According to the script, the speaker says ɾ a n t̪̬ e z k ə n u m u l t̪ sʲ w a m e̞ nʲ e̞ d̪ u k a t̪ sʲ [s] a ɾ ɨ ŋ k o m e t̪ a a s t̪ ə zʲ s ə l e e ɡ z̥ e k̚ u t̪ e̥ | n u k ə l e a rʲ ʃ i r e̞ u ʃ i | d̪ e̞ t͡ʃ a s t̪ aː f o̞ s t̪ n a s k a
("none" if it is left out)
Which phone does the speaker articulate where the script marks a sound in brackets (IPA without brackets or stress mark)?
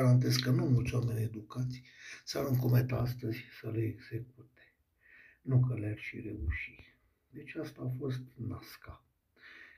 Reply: s